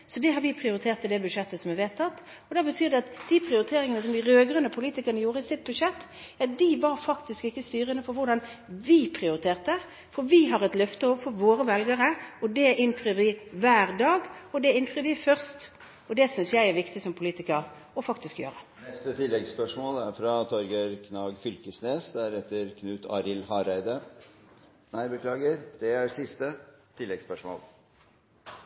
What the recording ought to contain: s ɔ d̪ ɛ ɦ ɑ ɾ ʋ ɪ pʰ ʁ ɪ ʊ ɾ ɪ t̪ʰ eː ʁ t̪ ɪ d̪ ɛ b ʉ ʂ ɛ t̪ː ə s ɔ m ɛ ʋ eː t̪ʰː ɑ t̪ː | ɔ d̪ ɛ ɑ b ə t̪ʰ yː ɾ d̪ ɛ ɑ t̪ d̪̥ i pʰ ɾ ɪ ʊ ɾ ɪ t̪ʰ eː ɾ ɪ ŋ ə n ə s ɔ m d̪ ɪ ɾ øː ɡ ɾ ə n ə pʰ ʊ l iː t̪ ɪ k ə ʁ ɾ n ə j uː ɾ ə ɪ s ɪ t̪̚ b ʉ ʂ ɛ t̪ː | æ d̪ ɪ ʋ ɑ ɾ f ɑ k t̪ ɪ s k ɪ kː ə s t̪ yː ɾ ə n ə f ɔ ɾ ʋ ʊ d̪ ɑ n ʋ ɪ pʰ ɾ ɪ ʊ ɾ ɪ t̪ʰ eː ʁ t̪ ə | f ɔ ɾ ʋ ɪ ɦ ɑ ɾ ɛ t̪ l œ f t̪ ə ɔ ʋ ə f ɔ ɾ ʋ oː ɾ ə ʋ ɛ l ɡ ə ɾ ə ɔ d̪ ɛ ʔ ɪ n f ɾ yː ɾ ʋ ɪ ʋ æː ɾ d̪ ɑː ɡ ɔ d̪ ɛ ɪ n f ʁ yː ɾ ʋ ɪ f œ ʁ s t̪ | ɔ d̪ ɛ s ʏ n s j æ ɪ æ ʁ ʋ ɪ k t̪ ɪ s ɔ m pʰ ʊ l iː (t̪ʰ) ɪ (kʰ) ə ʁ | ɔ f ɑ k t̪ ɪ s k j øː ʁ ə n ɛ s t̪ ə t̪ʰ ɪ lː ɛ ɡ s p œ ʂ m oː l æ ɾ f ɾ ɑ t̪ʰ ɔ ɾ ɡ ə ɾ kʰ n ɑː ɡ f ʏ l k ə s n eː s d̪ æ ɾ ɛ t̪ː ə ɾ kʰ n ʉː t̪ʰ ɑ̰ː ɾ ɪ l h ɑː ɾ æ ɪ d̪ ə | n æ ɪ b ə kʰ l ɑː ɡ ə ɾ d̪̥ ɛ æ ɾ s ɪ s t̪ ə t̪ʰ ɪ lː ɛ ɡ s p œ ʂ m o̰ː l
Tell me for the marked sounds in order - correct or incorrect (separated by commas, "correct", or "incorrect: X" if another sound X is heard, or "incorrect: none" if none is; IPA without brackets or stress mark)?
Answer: incorrect: t̪, incorrect: k